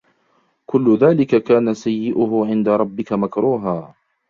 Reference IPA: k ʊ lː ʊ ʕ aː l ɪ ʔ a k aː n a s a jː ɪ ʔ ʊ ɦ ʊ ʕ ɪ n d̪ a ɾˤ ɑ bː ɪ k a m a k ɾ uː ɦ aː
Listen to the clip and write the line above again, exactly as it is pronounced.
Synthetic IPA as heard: k ʊ lː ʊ ð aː l ɪ k a k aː n a s a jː ɪ ʔ ʊ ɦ ʊ ʕ ɪ n d̪ a ɾˤ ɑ bː ɪ k a m a k ɾ uː ɦ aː